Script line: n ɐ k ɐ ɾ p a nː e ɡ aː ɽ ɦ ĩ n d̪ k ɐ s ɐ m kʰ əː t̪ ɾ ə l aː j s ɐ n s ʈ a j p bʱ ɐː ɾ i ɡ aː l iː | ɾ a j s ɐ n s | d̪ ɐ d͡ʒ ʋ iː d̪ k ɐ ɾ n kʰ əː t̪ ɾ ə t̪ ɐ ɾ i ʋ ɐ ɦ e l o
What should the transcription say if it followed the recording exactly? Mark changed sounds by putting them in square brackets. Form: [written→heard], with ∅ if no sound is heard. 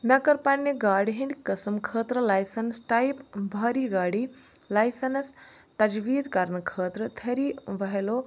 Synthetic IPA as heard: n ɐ k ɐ ɾ p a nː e ɡ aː ɽ ɦ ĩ n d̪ k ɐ s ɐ m kʰ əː t̪ ɾ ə l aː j s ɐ n s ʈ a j p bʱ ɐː ɾ i ɡ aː [l→ɽ] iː | [ɾ→l] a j s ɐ n s | [d̪→t̪] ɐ d͡ʒ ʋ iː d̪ k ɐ ɾ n kʰ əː t̪ ɾ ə [t̪→t̪ʰ] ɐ ɾ i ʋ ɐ ɦ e l o